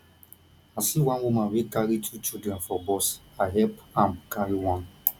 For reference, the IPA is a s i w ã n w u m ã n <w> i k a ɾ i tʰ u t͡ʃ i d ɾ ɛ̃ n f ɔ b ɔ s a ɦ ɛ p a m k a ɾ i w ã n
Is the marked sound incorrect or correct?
correct